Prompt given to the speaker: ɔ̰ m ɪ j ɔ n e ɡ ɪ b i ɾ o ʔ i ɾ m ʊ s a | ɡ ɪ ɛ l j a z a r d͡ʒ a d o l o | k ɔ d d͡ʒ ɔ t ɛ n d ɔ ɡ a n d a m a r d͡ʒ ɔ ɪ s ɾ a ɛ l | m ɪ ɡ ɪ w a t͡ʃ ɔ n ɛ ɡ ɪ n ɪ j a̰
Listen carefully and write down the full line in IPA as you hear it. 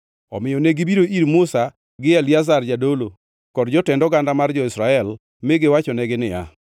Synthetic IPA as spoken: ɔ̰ m ɪ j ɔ n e ɡ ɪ b i ɾ o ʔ i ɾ m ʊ s a | ɡ ɪ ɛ l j a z a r d͡ʒ a d o l o | k ɔ d d͡ʒ ɔ t ɛ n d ɔ ɡ a n d a m a r d͡ʒ ɔ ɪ s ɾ a ɛ l | m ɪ ɡ ɪ w a t͡ʃ ɔ n ɛ ɡ ɪ n ɪ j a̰